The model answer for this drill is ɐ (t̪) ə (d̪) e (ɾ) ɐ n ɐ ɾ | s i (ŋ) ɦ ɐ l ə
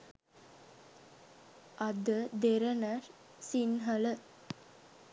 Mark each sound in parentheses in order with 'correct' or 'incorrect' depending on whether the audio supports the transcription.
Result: incorrect: d̪, correct, correct, incorrect: n

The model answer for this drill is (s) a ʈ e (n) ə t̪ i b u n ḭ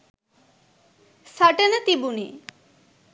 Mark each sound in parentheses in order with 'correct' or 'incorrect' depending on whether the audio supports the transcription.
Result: correct, correct

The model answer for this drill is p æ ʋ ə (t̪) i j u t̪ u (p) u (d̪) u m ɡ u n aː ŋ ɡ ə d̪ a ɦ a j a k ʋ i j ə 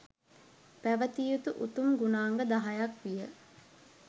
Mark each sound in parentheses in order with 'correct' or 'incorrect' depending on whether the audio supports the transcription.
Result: correct, incorrect: ʔ, incorrect: t̪

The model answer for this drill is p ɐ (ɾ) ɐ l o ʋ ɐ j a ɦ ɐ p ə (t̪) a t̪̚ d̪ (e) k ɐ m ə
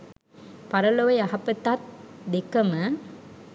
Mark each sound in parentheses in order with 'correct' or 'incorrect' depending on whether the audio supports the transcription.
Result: correct, correct, correct

